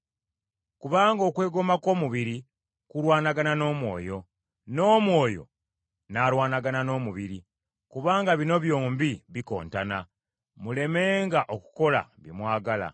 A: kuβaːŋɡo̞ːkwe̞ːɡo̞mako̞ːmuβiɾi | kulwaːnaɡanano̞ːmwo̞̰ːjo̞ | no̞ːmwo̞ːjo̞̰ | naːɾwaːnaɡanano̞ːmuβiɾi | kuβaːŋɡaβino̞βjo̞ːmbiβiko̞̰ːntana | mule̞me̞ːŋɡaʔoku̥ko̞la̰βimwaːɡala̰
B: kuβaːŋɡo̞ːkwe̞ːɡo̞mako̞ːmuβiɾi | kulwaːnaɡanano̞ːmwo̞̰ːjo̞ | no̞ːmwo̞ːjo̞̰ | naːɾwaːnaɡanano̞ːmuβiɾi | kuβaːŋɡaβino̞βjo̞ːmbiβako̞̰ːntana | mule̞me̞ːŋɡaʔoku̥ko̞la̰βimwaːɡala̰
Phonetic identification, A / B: A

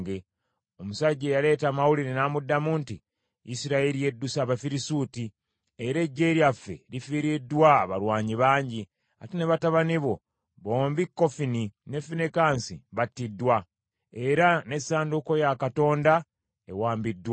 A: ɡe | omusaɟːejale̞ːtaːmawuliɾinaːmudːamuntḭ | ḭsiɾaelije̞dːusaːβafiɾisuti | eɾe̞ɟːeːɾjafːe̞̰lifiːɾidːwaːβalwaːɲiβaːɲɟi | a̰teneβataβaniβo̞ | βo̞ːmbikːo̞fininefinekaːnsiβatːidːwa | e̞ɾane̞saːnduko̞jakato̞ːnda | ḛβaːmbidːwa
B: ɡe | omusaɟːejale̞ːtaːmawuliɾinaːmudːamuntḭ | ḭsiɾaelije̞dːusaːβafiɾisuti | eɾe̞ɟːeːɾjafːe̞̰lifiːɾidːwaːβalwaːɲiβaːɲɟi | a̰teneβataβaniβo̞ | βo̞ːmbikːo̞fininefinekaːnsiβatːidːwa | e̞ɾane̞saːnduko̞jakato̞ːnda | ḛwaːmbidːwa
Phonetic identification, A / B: B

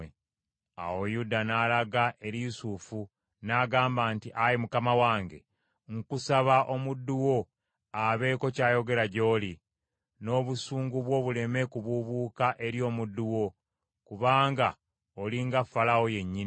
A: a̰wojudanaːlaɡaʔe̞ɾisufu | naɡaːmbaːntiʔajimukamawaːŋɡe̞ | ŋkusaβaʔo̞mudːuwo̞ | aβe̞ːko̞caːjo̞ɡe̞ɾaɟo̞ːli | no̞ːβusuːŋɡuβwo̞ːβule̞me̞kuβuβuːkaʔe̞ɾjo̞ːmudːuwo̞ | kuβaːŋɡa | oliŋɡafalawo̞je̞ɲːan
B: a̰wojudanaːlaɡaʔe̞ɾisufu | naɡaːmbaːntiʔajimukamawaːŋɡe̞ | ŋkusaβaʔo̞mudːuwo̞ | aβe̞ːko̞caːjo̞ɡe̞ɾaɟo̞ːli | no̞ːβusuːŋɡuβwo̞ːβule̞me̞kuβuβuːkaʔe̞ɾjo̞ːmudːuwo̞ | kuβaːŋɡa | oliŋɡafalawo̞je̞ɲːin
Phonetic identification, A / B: B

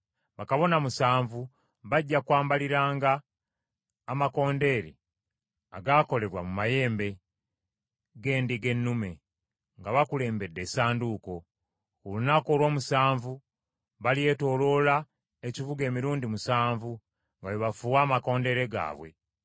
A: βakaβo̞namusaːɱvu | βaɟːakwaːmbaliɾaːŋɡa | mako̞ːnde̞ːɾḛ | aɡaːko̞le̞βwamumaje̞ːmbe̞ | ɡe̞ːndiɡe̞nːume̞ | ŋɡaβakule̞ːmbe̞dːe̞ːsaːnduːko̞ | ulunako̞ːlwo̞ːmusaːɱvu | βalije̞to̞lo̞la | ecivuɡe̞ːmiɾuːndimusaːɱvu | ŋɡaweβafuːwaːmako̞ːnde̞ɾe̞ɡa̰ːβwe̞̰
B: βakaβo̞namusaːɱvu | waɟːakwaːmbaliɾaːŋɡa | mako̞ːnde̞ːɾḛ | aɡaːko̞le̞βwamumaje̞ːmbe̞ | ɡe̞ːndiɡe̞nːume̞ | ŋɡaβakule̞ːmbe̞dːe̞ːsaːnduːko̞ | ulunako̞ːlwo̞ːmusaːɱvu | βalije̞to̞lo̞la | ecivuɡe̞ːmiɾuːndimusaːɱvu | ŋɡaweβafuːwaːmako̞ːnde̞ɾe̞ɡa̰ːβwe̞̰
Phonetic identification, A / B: A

